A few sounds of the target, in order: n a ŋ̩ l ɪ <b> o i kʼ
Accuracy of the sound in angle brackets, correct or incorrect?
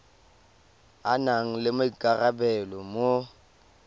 incorrect